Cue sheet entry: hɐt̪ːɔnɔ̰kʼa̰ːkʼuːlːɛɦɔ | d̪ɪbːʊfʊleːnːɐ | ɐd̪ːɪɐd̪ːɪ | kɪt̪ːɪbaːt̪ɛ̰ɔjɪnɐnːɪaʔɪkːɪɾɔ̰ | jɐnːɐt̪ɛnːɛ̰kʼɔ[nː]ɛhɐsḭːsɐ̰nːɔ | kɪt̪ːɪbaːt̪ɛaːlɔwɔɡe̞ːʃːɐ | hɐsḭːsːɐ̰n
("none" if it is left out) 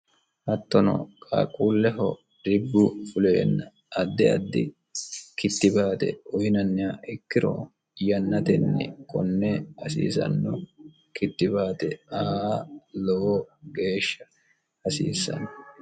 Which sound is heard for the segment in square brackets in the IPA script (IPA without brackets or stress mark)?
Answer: nː